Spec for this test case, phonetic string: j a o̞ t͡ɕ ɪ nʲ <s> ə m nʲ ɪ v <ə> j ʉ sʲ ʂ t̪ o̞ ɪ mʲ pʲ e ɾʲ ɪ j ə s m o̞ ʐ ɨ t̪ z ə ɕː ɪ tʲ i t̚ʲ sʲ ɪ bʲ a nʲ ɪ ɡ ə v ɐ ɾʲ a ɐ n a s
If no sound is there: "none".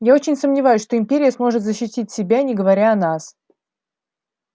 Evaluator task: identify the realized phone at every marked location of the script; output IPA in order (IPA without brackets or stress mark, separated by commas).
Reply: s, a